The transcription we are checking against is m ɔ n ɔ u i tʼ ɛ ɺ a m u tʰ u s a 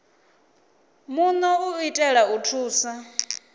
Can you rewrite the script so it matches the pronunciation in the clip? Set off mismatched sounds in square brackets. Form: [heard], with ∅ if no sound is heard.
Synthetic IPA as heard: m [u] n ɔ u i tʼ ɛ ɺ a [∅] u tʰ [uː] s a